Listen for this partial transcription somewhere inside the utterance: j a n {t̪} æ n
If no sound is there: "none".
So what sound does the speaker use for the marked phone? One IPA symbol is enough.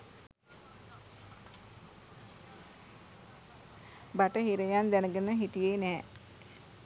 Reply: d̪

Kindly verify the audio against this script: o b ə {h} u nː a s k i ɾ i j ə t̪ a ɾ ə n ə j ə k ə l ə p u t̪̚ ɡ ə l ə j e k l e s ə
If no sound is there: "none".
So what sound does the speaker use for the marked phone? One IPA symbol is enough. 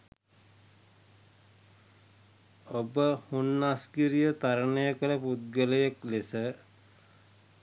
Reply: h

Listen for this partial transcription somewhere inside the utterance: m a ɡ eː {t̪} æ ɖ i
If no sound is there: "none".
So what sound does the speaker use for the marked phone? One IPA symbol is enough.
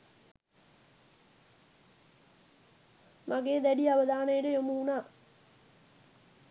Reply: d̪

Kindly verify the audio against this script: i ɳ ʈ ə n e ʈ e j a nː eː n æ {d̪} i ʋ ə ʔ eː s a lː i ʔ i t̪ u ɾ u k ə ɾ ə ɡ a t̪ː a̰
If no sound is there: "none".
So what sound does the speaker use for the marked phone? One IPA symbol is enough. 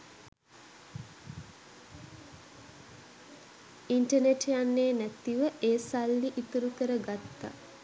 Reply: t̪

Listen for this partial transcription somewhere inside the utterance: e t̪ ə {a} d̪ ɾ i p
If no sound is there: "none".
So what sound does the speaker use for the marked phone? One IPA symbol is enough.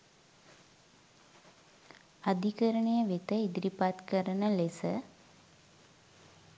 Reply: i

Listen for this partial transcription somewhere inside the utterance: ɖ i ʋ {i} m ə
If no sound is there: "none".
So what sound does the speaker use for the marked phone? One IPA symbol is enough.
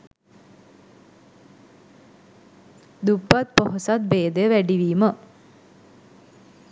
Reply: iː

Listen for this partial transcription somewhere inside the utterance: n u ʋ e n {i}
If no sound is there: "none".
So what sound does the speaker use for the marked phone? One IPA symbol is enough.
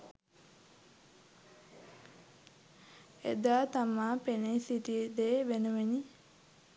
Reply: i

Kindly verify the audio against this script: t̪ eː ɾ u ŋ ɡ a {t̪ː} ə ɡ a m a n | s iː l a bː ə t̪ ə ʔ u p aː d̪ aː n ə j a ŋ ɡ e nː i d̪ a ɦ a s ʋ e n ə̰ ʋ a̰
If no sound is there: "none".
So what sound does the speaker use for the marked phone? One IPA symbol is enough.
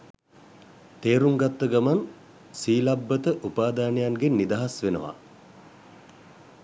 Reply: t̪ː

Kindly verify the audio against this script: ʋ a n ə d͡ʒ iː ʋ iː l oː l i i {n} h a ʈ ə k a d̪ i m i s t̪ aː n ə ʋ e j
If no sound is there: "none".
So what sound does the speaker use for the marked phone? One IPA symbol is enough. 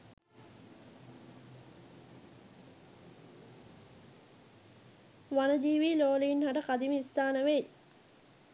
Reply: n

